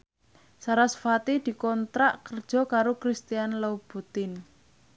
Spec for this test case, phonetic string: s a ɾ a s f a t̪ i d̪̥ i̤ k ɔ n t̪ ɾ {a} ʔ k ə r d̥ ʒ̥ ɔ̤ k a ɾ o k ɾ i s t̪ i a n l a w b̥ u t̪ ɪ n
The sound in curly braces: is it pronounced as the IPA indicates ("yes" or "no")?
yes